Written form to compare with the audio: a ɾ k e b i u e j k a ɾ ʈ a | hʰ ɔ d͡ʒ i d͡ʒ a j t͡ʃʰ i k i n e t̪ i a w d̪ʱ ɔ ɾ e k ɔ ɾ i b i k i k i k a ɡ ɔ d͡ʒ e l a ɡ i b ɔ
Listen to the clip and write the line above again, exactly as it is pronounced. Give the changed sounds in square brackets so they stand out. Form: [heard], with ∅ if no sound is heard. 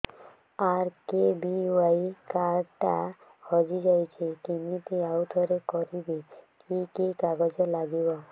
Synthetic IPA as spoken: a ɾ k e b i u [a] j k a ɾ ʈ a | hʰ ɔ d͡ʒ i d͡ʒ a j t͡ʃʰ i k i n [i] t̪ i a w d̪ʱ ɔ ɾ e k ɔ ɾ i b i k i k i k a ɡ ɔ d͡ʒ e l a ɡ i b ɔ

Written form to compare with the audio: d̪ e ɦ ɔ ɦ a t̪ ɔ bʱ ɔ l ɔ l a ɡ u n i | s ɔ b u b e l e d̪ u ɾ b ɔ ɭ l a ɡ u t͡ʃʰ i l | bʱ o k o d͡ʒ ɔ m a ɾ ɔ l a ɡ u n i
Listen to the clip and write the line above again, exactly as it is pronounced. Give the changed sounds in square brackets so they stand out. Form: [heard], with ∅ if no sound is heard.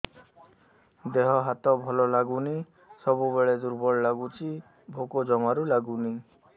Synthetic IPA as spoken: d̪ e ɦ ɔ ɦ a t̪ ɔ bʱ ɔ l ɔ l a ɡ u n i | s ɔ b u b e [ɭ] e d̪ u ɾ b ɔ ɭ l a ɡ u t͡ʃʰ i [∅] | bʱ o k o d͡ʒ ɔ m a ɾ [u] l a ɡ u n i

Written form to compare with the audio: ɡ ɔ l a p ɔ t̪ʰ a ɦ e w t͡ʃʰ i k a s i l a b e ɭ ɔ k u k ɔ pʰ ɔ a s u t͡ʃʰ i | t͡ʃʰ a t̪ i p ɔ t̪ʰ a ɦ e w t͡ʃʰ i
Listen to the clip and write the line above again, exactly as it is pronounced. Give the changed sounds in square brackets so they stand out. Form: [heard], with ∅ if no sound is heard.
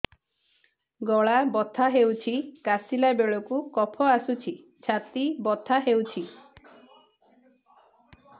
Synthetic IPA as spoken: ɡ ɔ [ɭ] a [b] ɔ t̪ʰ a ɦ e w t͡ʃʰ i k a s i l a b e ɭ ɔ k u k ɔ pʰ ɔ a s u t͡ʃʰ i | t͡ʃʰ a t̪ i [b] ɔ t̪ʰ a ɦ e w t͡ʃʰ i

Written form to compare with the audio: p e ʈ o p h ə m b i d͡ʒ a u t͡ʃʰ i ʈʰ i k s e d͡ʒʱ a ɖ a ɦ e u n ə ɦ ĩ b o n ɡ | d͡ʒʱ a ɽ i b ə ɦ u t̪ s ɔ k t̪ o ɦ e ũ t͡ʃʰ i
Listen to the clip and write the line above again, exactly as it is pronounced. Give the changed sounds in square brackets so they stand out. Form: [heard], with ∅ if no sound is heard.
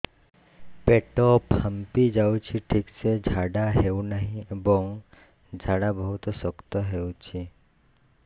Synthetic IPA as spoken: p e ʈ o p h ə m [p] i d͡ʒ a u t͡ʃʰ i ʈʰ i k s e d͡ʒʱ a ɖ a ɦ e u n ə ɦ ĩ b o [ŋ] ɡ | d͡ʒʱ a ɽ [a] b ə ɦ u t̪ s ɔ k t̪ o ɦ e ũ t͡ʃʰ i

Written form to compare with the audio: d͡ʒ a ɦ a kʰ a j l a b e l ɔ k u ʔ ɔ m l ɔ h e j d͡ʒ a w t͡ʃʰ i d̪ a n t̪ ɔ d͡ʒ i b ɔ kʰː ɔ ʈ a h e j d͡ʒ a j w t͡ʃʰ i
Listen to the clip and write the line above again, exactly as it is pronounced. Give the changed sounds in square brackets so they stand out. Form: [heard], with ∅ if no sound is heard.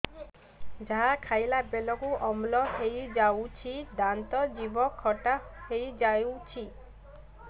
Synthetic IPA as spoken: d͡ʒ a ɦ a kʰ a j l a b e l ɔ k u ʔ ɔ m l ɔ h e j d͡ʒ a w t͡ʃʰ i d̪ a n t̪ ɔ d͡ʒ i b ɔ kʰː ɔ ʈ a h e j d͡ʒ a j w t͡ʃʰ i

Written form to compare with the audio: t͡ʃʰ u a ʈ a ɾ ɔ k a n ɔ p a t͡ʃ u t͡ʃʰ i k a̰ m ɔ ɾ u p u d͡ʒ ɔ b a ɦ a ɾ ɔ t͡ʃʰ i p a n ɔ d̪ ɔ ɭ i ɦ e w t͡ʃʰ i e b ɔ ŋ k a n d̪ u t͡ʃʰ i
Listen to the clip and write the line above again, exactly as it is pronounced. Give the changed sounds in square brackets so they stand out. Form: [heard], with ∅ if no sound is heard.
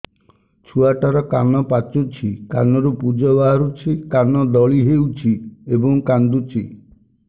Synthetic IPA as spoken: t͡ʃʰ u a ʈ a ɾ ɔ k a n ɔ p a t͡ʃ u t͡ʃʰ i k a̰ [n] ɔ ɾ u p u d͡ʒ ɔ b a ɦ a ɾ [u] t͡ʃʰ i [k] a n ɔ d̪ ɔ ɭ i ɦ e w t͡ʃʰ i e b ɔ ŋ k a n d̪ u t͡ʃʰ i

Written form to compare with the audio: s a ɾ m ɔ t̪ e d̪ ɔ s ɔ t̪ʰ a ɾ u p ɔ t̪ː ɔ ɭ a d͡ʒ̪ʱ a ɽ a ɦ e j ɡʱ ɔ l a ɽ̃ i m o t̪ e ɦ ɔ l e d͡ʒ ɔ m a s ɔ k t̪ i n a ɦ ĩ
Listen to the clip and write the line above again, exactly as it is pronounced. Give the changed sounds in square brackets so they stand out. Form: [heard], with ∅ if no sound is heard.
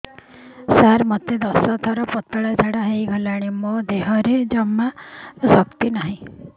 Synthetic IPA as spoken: s a ɾ m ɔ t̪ e d̪ ɔ s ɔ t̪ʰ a ɾ [ɔ] p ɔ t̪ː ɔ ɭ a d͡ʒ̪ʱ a ɽ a ɦ e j ɡʱ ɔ l a ɽ̃ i m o [d̪] e ɦ ɔ [ɾ] e d͡ʒ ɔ m a s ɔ k t̪ i n a ɦ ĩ

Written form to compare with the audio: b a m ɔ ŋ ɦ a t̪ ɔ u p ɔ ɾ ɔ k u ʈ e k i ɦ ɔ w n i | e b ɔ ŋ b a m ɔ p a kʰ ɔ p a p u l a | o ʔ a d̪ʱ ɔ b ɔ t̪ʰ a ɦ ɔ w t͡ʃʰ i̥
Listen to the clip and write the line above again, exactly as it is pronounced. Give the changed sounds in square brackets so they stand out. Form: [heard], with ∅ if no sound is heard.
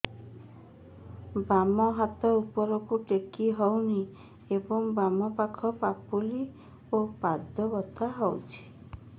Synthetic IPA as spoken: b a m ɔ [∅] ɦ a t̪ ɔ u p ɔ ɾ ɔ k u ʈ e k i ɦ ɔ w n i | e b ɔ ŋ b a m ɔ p a kʰ ɔ p a p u l [i] | o [p] a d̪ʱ ɔ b ɔ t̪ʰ a ɦ ɔ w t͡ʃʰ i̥

